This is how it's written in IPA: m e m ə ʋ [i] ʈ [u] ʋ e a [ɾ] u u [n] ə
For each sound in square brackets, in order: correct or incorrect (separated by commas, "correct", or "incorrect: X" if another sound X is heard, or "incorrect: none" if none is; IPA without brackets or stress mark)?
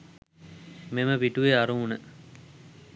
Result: correct, correct, correct, correct